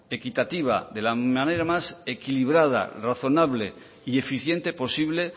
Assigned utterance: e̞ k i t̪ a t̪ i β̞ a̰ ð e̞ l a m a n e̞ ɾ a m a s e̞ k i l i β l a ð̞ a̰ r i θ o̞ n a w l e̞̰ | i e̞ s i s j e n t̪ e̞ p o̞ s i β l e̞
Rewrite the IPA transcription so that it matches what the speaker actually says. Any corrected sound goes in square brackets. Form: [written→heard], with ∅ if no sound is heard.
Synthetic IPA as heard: e̞ k i t̪ a t̪ i β̞ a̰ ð e̞ l a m a n e̞ ɾ a m a s e̞ k i l i β [l→ɾ] a ð̞ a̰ r [i→a] θ o̞ n a [w→β] l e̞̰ | i e̞ [s→f] i [s→θ] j e n t̪ e̞ p o̞ s i β l e̞

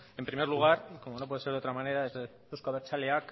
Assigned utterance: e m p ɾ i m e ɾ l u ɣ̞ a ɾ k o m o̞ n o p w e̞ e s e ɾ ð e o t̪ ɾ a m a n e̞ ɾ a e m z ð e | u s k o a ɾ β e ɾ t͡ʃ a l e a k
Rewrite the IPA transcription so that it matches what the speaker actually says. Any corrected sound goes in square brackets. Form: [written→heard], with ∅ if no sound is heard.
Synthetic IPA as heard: e m p ɾ i m e ɾ l u ɣ̞ a ɾ k o m o̞ n o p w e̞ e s e ɾ ð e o t̪ ɾ a m a n e̞ ɾ a e [m→∅] z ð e | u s k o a [ɾ→∅] β e ɾ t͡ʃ a l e a k

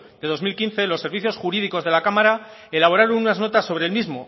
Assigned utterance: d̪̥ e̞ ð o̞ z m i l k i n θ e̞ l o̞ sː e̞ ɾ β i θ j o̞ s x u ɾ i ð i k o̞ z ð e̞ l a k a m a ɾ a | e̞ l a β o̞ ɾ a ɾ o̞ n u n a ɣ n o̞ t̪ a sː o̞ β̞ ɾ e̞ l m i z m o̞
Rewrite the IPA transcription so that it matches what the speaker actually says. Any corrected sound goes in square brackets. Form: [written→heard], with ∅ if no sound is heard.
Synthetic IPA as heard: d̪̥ e̞ ð o̞ z m i l k i n θ e̞ l o̞ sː e̞ ɾ β i θ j o̞ s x u ɾ i ð i k o̞ z ð e̞ l a k a m a ɾ a | e̞ l a β o̞ ɾ a ɾ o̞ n u n a [ɣ→z] n o̞ t̪ a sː o̞ β̞ ɾ e̞ l m i z m o̞

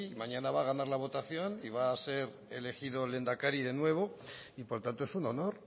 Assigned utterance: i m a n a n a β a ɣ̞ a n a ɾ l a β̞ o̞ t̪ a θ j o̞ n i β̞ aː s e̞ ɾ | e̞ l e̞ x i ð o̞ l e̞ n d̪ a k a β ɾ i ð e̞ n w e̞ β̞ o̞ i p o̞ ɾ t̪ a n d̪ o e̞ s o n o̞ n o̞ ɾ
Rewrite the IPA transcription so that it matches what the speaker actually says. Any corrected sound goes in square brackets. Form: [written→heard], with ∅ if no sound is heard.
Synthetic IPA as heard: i m a [n→ɲ] a n a β a ɣ̞ a n a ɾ l a β̞ o̞ t̪ a θ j o̞ n i β̞ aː s e̞ ɾ | e̞ l e̞ x i ð o̞ l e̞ n d̪ a k a [β→∅] ɾ i ð e̞ n w e̞ β̞ o̞ i p o̞ ɾ t̪ a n [d̪→t̪] o e̞ s [o→u] n o̞ n o̞ ɾ

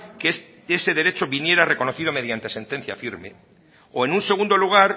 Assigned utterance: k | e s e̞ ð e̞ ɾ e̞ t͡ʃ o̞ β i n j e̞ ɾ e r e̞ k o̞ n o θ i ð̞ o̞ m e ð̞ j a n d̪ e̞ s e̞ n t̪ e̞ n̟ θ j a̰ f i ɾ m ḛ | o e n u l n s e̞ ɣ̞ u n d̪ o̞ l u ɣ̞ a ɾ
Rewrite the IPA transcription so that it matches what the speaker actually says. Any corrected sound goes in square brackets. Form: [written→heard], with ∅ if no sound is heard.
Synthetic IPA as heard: k | e s e̞ ð e̞ ɾ e̞ t͡ʃ o̞ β i n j e̞ ɾ [e→a] r e̞ k o̞ n o θ i ð̞ o̞ m e ð̞ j a n [d̪→t̪] e̞ s e̞ n t̪ e̞ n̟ θ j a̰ f i ɾ m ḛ | o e n u [l→∅] n s e̞ ɣ̞ u n d̪ o̞ l u ɣ̞ a ɾ

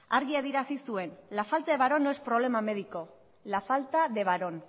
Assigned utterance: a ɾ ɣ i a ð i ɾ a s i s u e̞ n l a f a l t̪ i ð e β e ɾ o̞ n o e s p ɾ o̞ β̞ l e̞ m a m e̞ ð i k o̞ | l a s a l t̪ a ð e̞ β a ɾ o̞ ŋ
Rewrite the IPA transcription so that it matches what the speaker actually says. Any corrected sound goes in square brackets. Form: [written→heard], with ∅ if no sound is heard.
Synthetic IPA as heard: a ɾ ɣ i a ð i ɾ a s i s u e̞ n l a f a l t̪ [i→a] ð e β [e→a] ɾ o̞ n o e s p ɾ o̞ β̞ l e̞ m a m e̞ ð i k o̞ | l a [s→f] a l t̪ a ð e̞ β a ɾ o̞ [ŋ→n]

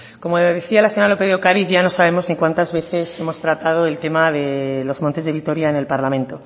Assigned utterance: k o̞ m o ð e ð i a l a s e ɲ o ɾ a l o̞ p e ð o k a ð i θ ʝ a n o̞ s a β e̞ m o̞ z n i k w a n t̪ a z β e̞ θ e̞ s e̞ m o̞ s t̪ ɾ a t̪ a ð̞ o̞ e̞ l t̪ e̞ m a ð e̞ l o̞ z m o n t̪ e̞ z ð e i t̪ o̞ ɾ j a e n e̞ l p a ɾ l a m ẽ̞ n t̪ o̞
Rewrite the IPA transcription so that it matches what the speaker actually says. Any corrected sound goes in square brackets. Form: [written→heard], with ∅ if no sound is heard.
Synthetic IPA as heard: k o̞ m o ð e [ð→θ] i a l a s e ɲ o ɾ a l o̞ p e ð o k a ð i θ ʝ a n o̞ s a β e̞ m o̞ z n i k w a n t̪ a z β e̞ θ e̞ s e̞ m o̞ s t̪ ɾ a t̪ a ð̞ o̞ e̞ l t̪ e̞ m a ð e̞ l o̞ z m o n t̪ e̞ z ð e i t̪ o̞ ɾ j a e n e̞ l p a ɾ l a m ẽ̞ n t̪ o̞

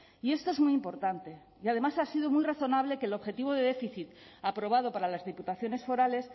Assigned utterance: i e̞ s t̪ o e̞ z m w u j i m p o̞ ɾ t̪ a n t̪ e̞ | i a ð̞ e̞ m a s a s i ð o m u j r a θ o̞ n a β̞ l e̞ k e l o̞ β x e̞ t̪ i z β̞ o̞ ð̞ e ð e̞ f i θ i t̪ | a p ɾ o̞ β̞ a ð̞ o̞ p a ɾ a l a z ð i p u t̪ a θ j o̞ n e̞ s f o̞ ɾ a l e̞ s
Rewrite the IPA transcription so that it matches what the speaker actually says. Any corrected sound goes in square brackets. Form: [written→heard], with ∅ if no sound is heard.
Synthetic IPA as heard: i e̞ s t̪ o e̞ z m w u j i m p o̞ ɾ t̪ a n t̪ e̞ | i a ð̞ e̞ m a s a s i ð o m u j r a θ o̞ n a β̞ l e̞ k e l o̞ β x e̞ t̪ i [z→∅] β̞ o̞ ð̞ e ð e̞ f i θ i t̪ | a p ɾ o̞ β̞ a ð̞ o̞ p a ɾ a l a z ð i p u t̪ a θ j o̞ n e̞ s f o̞ ɾ a l e̞ s

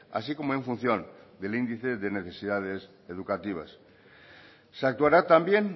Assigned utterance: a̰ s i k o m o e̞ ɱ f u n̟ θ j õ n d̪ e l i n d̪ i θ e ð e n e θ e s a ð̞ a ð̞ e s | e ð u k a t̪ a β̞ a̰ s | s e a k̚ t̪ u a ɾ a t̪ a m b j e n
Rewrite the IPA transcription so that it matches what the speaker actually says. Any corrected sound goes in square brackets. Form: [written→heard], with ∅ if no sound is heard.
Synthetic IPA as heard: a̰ s i k o m o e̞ ɱ f u n̟ θ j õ n d̪ e l i n d̪ i θ e ð e n e θ e s [a→i] ð̞ a ð̞ e s | e ð u k a t̪ [a→i] β̞ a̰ s | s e a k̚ t̪ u a ɾ a t̪ a m b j e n

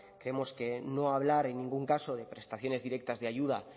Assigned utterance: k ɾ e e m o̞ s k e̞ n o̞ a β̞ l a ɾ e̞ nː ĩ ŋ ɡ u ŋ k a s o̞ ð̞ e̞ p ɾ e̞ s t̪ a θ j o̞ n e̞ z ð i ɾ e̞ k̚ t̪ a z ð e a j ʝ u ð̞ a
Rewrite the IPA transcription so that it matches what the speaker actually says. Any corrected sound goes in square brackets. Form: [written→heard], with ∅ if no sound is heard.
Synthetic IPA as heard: k ɾ e e m o̞ s k e̞ n o̞ a β̞ l a ɾ e̞ nː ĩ ŋ ɡ u ŋ k a s o̞ ð̞ e̞ p ɾ e̞ s t̪ a θ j o̞ n e̞ z ð i ɾ e̞ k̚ t̪ a z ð e a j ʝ u ð̞ a

